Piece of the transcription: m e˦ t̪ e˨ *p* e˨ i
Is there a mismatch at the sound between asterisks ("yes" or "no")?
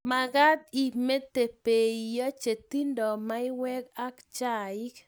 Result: no